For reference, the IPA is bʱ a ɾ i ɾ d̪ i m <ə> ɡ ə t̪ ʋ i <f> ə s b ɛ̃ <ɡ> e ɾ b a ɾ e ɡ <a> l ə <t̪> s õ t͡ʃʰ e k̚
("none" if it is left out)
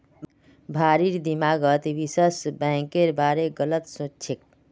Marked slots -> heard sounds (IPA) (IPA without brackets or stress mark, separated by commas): a, s, k, ə, t̪